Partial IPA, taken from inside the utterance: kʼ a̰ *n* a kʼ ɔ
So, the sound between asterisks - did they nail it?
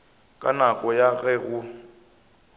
yes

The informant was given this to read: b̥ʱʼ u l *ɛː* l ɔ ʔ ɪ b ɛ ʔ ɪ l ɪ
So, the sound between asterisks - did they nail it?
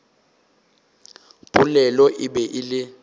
no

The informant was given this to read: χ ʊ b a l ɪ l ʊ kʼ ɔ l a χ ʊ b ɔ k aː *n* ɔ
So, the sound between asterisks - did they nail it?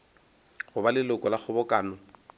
yes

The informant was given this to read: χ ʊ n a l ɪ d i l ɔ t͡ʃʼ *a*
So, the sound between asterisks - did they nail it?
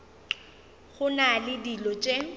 no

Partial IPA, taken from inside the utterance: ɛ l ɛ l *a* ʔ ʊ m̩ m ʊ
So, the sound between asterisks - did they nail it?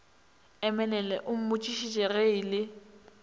no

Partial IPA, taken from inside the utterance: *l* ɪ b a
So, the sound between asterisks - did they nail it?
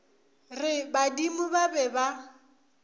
no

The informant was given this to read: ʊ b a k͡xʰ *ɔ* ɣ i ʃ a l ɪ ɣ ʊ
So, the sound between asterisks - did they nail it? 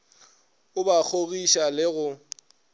no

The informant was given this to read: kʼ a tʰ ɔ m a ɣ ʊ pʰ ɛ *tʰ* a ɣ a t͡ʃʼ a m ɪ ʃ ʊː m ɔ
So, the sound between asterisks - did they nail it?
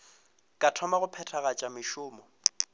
yes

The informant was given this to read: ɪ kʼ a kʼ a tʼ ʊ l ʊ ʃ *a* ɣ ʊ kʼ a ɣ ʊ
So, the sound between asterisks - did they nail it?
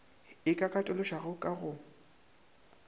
yes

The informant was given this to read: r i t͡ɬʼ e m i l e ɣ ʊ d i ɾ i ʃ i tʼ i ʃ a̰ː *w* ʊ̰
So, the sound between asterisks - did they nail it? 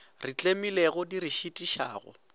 no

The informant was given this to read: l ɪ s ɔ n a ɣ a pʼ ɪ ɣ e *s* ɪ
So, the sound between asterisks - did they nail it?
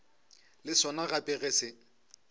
yes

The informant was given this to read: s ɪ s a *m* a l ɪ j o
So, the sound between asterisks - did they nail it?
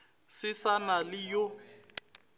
no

